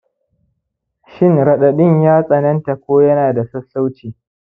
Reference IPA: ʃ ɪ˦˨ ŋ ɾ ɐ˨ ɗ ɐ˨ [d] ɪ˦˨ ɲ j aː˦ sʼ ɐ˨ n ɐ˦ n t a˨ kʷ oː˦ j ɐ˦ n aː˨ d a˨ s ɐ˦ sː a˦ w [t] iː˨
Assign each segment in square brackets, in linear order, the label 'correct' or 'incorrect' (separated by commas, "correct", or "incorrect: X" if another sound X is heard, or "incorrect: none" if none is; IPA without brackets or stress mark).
incorrect: ɗ, incorrect: t͡ʃ